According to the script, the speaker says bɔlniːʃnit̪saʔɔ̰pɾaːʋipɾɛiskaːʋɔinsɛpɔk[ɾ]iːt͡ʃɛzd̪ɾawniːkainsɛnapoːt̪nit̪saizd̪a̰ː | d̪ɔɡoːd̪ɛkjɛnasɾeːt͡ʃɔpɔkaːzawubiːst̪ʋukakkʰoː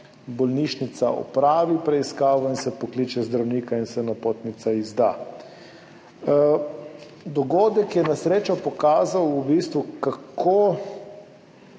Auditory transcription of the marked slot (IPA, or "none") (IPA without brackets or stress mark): l